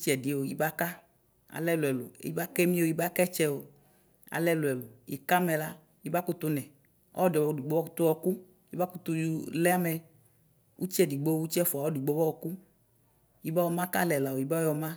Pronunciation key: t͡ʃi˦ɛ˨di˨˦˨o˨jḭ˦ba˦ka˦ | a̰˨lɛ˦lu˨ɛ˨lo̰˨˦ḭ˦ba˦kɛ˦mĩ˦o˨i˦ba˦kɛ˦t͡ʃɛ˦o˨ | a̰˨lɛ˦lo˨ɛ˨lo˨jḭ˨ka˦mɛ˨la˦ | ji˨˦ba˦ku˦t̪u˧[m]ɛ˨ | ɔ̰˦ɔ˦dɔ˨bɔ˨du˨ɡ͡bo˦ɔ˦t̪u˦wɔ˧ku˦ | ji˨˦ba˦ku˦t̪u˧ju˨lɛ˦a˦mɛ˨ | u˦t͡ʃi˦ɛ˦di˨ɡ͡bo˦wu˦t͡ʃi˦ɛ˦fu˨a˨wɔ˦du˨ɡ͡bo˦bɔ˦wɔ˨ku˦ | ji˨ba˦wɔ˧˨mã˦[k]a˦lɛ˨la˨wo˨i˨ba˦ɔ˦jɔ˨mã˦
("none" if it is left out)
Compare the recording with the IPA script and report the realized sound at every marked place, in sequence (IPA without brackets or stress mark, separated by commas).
n, k